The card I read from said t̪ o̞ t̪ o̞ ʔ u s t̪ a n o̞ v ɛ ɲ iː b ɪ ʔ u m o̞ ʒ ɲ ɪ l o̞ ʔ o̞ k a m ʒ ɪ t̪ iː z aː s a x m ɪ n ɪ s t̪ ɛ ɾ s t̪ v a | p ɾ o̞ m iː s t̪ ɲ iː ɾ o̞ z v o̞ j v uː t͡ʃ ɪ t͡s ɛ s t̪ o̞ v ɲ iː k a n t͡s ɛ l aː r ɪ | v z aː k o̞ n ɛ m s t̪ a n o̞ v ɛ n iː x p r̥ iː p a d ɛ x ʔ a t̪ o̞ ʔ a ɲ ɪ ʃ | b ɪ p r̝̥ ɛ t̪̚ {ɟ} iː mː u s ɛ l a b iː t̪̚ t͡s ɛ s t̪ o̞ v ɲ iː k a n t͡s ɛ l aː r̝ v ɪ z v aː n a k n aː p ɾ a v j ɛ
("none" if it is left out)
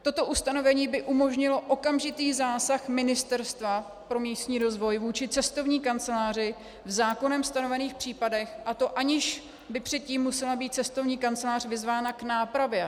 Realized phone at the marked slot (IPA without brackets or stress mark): c